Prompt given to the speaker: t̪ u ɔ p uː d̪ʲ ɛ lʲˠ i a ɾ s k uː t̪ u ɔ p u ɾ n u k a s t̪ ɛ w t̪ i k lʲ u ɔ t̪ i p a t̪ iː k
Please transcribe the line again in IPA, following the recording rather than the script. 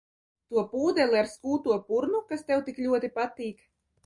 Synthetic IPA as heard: t̪ u ɔ p uː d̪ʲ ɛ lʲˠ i a ɾ s k uː t̪ u ɔ p u ɾ n u k a s t̪ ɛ w t̪ i k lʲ u ɔ t̪ i p a t̪ iː k